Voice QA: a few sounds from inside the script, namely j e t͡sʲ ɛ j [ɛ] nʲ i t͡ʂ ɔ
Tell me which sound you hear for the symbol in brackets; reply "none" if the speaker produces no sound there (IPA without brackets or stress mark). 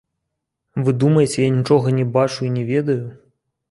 a